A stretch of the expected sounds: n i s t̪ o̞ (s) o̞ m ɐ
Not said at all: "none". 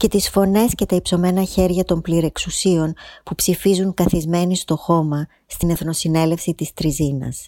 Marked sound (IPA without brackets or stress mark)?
x